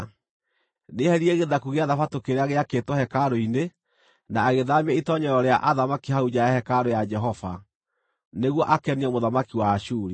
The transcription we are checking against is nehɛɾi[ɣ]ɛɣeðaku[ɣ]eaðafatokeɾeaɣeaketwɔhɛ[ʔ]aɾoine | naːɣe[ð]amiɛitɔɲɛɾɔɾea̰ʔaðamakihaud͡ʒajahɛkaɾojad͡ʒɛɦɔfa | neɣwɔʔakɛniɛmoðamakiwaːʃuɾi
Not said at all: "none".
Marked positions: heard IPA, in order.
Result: none, ɣ, k, ð

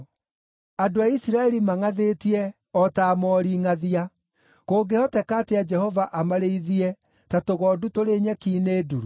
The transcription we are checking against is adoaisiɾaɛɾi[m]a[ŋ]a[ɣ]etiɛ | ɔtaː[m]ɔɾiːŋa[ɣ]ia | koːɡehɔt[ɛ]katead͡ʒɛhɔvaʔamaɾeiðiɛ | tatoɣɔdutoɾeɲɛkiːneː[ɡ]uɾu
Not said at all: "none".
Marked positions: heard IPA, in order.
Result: m, ŋ, ð, m, ð, ɛ, d

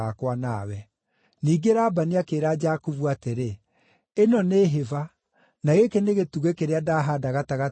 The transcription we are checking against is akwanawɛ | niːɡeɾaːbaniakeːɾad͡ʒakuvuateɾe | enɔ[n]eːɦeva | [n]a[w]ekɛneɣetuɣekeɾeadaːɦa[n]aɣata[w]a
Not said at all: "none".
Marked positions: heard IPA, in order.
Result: n, n, ɣ, d, ɣ

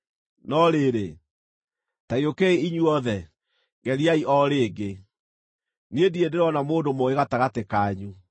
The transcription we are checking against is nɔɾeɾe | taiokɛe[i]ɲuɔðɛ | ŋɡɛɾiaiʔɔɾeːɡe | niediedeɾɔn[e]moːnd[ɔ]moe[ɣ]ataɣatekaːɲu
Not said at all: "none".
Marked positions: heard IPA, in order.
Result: i, a, o, ɣ

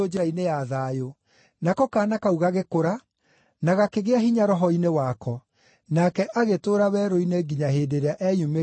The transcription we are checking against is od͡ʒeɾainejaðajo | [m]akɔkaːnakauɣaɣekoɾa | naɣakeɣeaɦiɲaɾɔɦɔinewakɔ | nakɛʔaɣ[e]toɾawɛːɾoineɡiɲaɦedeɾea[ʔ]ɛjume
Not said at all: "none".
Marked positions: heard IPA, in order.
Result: n, e, ʔ

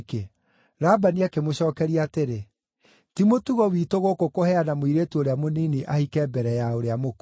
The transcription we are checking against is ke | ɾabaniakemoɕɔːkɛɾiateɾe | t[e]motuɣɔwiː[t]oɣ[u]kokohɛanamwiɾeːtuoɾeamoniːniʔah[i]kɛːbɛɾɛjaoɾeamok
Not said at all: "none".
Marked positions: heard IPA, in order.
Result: i, t, o, i

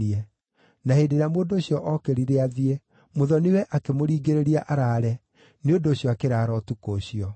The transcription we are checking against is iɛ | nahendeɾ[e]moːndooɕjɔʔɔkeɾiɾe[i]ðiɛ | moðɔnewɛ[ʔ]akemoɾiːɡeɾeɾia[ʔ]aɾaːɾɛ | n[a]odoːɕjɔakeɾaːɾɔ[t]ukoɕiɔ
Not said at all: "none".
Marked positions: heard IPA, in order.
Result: a, a, ʔ, ʔ, e, t

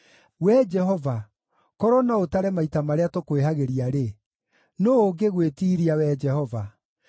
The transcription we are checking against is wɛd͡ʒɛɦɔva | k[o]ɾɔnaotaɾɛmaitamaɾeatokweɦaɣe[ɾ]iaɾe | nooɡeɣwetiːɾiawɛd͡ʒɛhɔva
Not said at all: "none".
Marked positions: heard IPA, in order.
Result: ɔ, ɾ

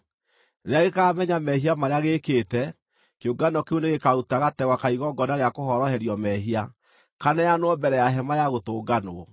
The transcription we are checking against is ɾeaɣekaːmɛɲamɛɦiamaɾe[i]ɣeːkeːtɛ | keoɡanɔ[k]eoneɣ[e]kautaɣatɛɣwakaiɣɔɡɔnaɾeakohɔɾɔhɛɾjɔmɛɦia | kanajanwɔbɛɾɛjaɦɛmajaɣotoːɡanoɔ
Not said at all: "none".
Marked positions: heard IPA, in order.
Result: a, k, e

